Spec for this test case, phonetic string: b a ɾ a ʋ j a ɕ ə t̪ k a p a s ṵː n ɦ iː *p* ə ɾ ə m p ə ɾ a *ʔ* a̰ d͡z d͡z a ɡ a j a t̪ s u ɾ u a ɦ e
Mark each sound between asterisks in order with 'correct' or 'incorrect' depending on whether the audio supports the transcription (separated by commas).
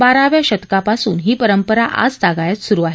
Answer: correct, correct